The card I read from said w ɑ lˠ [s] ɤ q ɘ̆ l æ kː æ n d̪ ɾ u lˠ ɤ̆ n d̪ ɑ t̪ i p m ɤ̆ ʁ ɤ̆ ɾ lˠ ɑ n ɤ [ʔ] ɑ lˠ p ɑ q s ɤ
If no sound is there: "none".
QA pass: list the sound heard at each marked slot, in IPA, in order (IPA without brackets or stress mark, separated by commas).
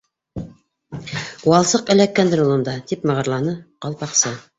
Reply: s, q